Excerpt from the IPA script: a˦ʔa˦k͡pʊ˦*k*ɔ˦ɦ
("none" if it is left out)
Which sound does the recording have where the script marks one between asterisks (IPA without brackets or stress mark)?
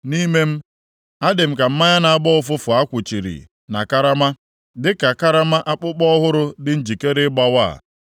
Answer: k͡p